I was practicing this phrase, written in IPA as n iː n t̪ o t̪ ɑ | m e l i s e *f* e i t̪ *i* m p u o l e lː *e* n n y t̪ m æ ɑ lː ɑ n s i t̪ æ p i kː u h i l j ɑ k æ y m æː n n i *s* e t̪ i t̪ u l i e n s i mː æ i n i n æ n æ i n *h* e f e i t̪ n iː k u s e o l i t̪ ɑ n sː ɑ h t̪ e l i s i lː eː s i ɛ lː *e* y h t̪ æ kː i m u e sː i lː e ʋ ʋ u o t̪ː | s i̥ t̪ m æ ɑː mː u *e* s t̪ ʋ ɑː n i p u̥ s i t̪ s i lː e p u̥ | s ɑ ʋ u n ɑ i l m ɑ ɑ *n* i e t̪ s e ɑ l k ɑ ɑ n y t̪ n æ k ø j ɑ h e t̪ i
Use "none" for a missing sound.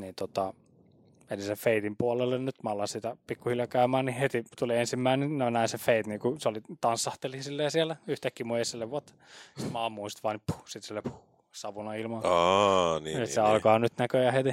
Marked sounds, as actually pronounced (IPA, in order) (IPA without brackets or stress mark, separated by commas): f, i, e, h, s, æ, i, n